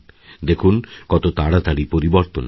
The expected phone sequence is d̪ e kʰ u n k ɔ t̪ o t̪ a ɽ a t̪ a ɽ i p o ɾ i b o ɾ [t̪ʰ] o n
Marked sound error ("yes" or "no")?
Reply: yes